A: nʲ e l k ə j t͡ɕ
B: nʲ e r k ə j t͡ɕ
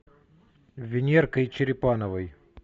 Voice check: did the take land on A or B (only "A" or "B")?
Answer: B